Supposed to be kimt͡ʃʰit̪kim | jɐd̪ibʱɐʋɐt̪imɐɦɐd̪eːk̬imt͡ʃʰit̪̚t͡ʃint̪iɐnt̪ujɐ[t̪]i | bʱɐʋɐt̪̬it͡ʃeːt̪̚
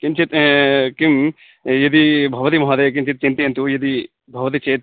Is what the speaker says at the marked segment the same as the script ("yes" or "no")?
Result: no